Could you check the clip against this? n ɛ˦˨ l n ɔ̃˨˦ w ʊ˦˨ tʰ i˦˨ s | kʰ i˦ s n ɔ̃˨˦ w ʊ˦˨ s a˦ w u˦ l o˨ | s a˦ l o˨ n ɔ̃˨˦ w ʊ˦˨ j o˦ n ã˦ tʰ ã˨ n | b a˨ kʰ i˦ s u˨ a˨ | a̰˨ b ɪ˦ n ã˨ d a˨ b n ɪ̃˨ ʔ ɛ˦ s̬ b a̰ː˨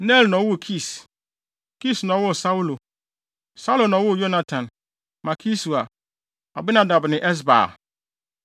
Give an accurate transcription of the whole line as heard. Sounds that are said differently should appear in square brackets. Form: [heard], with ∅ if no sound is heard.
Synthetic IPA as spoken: n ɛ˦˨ l n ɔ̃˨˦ w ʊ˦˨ [kʰ] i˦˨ s | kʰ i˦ s n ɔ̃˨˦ w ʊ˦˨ s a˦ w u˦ l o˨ | s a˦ l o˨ n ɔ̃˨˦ w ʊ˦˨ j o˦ n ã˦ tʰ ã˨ n | [m] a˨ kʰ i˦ s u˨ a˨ | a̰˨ b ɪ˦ n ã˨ d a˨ b n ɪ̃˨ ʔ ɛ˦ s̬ b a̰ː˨

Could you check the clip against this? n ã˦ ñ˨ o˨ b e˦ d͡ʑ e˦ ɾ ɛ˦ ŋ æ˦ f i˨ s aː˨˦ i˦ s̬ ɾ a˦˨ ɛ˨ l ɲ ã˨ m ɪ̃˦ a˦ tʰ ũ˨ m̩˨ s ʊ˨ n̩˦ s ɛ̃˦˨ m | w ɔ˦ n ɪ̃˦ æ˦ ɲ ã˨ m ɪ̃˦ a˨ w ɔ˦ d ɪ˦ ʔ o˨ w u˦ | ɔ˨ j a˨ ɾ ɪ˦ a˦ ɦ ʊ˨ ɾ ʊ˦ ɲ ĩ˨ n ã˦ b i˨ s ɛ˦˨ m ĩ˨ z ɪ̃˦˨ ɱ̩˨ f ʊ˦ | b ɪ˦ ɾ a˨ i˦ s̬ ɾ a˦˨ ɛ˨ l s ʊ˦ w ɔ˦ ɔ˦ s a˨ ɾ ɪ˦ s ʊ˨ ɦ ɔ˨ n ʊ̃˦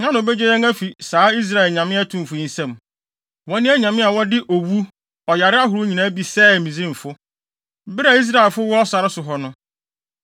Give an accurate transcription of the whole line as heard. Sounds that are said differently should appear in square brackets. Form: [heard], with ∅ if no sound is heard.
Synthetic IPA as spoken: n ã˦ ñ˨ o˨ b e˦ d͡ʑ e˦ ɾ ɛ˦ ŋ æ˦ f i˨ s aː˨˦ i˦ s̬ ɾ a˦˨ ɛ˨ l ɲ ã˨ m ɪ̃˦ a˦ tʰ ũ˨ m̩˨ [f] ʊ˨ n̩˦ s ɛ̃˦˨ m | w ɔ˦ n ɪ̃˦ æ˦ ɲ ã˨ m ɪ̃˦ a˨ w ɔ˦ d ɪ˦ ʔ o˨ w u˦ | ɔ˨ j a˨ ɾ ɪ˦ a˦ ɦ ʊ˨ ɾ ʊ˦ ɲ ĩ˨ n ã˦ b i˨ s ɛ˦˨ m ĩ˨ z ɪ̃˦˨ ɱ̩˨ f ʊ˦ | b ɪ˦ ɾ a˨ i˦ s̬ ɾ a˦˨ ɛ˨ l [f] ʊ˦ w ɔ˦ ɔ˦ s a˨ ɾ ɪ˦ s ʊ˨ ɦ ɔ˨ n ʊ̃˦

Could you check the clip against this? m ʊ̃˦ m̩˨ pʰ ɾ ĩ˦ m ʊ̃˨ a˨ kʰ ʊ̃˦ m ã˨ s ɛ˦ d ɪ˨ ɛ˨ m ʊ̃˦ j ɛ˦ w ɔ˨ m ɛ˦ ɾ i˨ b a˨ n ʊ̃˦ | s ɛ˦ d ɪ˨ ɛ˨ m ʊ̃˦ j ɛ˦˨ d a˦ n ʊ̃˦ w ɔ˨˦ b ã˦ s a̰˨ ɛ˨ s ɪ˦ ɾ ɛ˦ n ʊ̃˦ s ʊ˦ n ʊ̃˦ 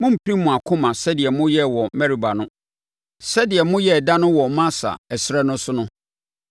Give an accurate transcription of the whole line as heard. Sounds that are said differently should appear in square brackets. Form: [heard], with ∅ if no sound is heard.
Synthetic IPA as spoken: m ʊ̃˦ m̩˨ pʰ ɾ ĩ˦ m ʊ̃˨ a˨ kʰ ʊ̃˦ m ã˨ s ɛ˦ d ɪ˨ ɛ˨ m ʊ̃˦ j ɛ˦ w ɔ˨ m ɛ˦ ɾ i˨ b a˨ n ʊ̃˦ | s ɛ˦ d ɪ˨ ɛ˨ m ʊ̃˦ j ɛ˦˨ d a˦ n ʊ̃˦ w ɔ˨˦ [m] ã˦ s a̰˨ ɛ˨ s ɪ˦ ɾ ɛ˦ n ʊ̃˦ s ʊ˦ n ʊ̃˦

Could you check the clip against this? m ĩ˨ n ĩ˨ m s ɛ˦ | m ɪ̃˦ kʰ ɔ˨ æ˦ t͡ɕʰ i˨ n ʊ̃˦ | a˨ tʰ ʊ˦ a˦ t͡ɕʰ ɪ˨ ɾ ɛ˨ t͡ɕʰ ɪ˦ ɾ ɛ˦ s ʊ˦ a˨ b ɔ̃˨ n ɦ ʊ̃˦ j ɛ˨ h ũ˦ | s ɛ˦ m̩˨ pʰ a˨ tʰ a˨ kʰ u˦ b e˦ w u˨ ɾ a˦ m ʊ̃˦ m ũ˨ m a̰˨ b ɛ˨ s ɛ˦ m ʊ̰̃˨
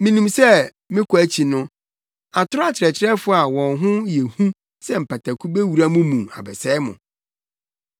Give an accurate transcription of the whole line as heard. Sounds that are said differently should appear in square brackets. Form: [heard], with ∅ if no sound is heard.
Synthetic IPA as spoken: m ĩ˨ n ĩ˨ m s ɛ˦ | m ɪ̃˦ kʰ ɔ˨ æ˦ t͡ɕʰ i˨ n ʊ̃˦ | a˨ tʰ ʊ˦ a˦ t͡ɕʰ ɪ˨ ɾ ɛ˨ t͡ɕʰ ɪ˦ ɾ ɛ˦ [f] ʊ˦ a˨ [w] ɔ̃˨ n ɦ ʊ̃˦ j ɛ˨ h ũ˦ | s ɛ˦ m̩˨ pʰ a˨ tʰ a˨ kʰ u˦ b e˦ w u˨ ɾ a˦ m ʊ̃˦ m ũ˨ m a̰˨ b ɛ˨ s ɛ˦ m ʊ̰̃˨

